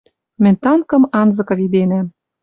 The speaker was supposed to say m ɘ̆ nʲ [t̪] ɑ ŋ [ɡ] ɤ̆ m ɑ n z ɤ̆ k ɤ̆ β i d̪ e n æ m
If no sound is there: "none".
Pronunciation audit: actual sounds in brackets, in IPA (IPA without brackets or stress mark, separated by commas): t̪, k